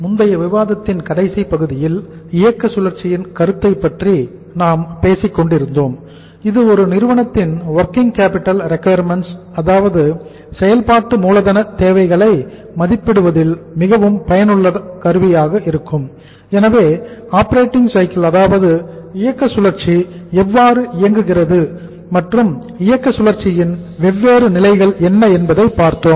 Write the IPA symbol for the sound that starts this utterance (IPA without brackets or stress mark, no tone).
m